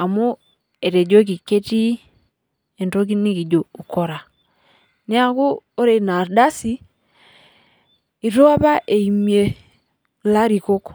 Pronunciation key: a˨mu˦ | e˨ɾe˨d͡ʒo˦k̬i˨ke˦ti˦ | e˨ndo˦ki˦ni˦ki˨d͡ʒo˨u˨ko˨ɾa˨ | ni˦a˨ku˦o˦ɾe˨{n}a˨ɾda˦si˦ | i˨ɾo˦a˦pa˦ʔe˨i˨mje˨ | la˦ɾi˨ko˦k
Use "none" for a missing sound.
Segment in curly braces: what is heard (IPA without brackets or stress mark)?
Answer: n